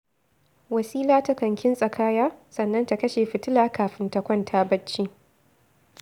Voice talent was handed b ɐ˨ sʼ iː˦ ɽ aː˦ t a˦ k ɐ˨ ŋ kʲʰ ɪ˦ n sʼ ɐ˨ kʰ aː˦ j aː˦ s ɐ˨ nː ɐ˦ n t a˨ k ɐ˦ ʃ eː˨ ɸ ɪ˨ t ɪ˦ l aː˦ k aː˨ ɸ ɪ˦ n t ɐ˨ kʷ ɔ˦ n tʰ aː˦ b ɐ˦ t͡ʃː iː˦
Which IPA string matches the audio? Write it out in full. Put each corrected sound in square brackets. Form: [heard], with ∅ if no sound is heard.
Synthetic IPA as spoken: [w] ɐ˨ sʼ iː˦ [l] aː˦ t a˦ k ɐ˨ ŋ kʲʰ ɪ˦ n sʼ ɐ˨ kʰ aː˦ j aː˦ s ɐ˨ nː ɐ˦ n t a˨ k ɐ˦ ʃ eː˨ ɸ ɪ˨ t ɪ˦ l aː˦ k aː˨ ɸ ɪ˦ n t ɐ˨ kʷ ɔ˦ n tʰ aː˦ b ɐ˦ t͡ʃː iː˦

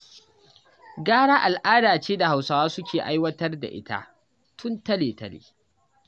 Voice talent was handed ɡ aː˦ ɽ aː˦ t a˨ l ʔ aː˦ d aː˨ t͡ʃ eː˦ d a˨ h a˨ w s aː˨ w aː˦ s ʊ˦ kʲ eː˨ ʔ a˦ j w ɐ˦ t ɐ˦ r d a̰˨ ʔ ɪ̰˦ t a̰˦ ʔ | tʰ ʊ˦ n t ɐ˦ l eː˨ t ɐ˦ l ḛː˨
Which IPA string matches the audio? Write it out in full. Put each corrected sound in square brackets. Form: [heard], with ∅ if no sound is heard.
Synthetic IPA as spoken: ɡ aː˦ ɽ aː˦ [ʔ] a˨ l ʔ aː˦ d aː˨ t͡ʃ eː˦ d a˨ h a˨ w s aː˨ w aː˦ s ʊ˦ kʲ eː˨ ʔ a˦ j w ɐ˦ t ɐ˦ r d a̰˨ ʔ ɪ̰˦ t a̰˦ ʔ | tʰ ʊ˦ n t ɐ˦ l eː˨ t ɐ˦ l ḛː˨

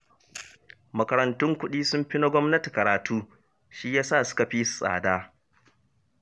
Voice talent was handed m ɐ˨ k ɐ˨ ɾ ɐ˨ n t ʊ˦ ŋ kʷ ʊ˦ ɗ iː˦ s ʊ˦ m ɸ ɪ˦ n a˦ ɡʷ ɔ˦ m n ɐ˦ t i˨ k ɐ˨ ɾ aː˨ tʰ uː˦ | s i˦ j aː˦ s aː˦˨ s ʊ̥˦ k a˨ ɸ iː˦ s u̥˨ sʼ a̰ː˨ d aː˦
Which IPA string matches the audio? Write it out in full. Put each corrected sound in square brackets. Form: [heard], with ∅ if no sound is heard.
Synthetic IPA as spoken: m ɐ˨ k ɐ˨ ɾ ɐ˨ n t ʊ˦ ŋ kʷ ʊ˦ ɗ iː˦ s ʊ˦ m ɸ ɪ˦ n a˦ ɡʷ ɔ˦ m n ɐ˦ t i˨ k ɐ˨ ɾ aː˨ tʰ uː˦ | [ʃ] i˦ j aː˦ s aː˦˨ s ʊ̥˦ k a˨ ɸ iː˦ s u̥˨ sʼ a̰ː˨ d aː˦

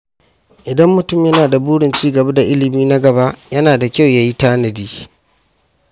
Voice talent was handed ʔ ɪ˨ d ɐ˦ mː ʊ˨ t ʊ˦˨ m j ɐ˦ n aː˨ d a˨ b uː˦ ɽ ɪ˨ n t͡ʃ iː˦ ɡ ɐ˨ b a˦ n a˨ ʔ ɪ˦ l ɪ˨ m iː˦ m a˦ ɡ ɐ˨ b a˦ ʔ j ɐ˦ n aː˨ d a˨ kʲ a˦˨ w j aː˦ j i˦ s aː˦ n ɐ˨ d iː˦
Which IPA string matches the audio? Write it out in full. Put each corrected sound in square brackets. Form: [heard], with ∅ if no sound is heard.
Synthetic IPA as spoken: ʔ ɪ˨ d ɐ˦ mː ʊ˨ t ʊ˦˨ m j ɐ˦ n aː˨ d a˨ b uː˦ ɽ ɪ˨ n t͡ʃ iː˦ ɡ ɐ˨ b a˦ [d] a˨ ʔ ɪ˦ l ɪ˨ m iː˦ [n] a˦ ɡ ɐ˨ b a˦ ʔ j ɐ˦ n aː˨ d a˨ kʲ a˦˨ w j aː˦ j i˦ [t] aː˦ n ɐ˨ d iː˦

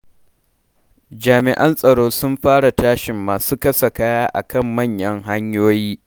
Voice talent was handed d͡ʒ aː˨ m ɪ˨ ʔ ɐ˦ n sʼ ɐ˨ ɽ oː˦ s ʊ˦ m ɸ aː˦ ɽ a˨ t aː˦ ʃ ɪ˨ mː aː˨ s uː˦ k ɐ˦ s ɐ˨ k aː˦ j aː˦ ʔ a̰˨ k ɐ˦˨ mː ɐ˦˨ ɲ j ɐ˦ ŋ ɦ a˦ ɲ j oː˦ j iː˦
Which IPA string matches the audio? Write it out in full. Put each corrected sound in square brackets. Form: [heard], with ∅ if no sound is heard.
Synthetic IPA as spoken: d͡ʒ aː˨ m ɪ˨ ʔ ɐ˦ n sʼ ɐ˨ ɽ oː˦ s ʊ˦ m ɸ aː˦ ɽ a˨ t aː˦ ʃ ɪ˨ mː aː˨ s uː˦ k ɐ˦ s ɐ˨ k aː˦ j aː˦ ʔ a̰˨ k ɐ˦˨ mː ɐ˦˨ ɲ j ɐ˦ ŋ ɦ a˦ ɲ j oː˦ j iː˦

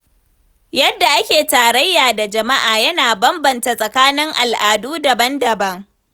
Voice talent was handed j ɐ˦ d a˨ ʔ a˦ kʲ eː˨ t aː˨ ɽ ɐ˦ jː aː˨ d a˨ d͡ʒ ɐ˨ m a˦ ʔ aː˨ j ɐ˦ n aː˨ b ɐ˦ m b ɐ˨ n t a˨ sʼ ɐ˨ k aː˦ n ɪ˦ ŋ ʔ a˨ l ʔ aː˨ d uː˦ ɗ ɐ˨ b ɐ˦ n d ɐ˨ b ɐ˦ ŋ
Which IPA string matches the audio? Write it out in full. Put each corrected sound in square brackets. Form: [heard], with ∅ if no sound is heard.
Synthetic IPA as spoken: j ɐ˦ [dː] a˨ ʔ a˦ kʲ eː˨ t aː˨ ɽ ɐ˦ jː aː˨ d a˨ d͡ʒ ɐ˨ m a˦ ʔ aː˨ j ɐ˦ n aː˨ b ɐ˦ m b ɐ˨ n t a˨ sʼ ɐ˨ k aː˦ n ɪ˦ ŋ ʔ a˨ l ʔ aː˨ d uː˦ [d] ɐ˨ b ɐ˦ n d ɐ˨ b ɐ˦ ŋ

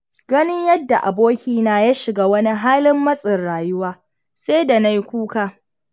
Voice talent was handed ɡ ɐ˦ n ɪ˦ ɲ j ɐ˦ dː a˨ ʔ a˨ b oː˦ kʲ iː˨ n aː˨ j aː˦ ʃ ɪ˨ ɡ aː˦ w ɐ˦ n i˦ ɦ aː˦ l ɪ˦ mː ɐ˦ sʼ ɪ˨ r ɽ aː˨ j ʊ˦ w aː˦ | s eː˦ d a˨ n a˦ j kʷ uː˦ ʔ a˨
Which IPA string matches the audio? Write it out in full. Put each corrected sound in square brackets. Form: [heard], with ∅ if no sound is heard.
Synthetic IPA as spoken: ɡ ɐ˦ n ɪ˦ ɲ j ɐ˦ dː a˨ ʔ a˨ b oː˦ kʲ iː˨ n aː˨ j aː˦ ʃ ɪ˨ ɡ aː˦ w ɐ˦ n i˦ ɦ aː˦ l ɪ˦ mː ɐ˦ sʼ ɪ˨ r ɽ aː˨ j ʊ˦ w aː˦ | s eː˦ d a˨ n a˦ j kʷ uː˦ [k] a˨

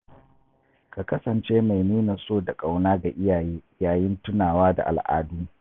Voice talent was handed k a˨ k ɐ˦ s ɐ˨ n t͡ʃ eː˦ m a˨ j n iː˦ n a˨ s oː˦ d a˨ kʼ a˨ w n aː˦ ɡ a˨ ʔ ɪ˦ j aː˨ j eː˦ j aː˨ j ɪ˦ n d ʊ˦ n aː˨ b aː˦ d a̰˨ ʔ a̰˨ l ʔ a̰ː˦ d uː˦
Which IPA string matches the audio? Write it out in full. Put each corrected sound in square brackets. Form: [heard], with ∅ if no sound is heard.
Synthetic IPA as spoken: k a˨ k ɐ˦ s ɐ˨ n t͡ʃ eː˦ m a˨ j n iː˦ n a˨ s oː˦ d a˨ kʼ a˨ w n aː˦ ɡ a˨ ʔ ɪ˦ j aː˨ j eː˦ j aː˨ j ɪ˦ n [t] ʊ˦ n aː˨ [w] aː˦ d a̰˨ ʔ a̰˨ l ʔ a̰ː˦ d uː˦

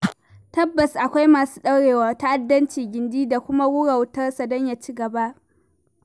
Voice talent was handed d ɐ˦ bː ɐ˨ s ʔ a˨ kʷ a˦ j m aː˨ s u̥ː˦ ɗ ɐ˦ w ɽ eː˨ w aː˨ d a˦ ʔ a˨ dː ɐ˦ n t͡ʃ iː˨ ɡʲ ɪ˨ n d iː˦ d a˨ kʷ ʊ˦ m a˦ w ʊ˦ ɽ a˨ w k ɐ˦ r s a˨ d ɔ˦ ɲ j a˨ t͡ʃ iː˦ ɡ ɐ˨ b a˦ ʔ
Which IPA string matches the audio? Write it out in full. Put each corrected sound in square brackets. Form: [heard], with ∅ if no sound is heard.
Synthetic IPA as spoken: [t] ɐ˦ bː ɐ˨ s ʔ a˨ kʷ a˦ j m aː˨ s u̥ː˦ ɗ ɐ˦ w ɽ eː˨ w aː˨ [t] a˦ ʔ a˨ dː ɐ˦ n t͡ʃ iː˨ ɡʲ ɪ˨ n d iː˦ d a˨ kʷ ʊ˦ m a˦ w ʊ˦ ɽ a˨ w [t] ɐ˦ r s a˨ d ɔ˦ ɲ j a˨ t͡ʃ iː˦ ɡ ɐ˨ b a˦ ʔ

